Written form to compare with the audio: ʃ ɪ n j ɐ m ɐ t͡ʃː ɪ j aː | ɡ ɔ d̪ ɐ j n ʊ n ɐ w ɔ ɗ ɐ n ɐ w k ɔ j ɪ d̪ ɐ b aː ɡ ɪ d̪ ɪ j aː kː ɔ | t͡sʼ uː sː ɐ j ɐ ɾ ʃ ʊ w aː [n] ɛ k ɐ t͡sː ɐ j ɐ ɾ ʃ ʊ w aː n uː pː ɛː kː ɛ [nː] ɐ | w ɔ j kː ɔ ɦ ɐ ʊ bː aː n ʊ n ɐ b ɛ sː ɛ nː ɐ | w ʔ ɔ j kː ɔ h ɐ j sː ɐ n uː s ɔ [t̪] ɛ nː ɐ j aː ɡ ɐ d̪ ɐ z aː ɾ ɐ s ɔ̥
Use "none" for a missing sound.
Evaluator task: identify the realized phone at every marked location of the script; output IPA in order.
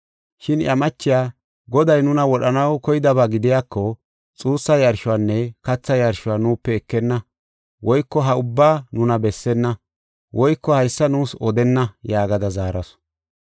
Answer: nː, nː, d̪

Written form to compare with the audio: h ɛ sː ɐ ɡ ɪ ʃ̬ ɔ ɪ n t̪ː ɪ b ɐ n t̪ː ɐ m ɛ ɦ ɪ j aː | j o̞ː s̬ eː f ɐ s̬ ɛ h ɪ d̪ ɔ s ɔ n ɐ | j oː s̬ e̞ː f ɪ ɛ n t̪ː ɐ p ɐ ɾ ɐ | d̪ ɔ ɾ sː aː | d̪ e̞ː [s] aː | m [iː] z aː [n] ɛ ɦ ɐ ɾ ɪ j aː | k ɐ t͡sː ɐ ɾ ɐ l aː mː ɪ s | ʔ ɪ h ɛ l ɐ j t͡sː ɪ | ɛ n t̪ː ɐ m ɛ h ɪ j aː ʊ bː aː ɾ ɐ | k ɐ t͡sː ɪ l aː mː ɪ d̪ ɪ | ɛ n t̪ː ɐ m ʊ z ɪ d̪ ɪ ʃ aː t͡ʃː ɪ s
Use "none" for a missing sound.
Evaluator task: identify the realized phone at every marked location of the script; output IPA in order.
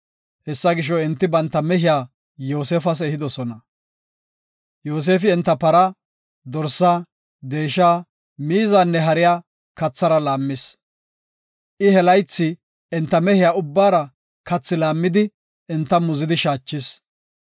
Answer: ʃ, iː, nː

